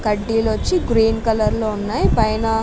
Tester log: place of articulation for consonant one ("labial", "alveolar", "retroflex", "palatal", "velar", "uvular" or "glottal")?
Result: velar